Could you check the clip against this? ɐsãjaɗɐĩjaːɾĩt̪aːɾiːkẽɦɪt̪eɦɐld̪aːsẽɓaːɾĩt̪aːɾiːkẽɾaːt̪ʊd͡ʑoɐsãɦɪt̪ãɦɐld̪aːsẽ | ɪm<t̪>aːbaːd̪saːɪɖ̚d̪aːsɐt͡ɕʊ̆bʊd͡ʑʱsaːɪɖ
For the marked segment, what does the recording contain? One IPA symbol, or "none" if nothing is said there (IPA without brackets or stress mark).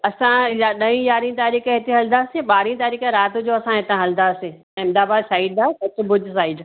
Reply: d̪